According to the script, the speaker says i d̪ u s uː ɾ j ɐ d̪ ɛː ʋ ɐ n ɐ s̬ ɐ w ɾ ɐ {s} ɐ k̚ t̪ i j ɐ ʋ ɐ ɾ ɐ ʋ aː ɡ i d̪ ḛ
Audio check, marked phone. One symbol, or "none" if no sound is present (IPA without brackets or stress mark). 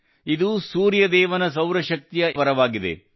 ʃ